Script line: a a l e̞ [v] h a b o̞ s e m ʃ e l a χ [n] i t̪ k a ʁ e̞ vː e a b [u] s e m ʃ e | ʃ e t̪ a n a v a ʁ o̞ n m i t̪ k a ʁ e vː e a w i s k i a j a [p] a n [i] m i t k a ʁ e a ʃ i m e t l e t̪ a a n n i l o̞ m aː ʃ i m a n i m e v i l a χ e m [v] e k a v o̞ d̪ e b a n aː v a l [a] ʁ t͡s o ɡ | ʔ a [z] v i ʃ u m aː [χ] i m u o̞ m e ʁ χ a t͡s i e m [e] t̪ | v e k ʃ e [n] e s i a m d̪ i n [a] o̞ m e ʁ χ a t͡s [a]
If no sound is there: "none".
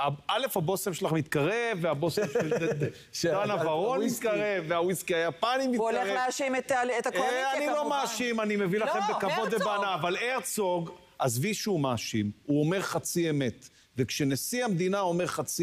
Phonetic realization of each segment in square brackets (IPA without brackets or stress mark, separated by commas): f, m, o, p, i, b, e, z, ʃ, e, n, a, i